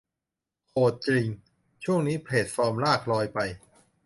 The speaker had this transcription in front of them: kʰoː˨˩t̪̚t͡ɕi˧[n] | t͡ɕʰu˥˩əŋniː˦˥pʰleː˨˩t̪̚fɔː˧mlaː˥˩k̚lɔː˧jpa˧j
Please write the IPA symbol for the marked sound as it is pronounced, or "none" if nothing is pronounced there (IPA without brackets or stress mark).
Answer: ŋ